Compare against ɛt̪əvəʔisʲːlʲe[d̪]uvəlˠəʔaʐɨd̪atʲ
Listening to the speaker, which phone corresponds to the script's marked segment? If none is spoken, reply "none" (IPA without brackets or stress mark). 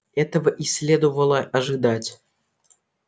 d̪